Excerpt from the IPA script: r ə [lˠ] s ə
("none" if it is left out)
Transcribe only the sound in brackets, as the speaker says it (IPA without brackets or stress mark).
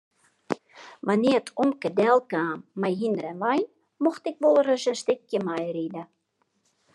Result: none